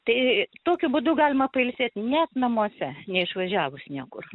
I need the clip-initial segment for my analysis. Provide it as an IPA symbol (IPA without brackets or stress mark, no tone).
t̪